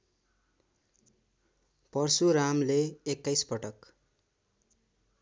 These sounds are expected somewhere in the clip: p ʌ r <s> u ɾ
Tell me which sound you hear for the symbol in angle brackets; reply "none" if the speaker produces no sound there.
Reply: s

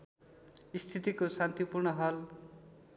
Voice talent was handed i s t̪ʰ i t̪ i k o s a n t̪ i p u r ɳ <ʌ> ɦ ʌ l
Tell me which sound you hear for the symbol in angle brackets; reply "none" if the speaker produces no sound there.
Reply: ʌ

